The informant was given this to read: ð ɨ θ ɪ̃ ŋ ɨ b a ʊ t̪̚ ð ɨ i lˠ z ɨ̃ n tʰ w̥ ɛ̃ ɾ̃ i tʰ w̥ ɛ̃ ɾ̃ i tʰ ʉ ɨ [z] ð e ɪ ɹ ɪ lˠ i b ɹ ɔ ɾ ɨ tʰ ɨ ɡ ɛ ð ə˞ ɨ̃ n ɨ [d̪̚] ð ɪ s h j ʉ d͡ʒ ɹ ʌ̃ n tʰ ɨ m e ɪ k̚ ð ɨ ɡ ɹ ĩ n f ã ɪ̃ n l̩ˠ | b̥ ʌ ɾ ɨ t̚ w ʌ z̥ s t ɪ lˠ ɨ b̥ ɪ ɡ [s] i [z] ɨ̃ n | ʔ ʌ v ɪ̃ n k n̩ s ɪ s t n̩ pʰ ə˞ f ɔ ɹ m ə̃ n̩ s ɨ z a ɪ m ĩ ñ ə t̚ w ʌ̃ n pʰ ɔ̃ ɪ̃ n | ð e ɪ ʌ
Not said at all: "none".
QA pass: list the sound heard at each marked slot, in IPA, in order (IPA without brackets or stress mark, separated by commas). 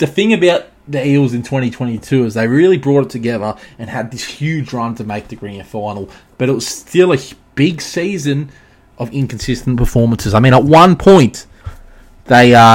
z, d̪̚, s, z